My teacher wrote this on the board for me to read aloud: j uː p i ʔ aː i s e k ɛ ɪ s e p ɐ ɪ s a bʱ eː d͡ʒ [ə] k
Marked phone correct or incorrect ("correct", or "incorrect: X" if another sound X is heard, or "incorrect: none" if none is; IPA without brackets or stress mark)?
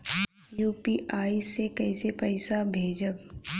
correct